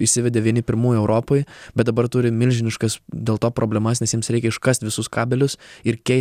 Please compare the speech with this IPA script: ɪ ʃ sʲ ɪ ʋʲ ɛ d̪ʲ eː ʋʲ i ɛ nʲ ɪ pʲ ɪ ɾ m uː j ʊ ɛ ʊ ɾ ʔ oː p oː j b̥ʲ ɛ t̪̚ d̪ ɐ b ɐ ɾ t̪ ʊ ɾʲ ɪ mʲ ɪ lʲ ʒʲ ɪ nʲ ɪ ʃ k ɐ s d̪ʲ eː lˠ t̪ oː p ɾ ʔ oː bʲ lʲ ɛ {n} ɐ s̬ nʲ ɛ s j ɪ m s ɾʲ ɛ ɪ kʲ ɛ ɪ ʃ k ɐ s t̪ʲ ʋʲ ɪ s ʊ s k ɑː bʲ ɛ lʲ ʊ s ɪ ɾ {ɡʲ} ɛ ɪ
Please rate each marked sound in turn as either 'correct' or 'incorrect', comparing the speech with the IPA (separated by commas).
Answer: incorrect, incorrect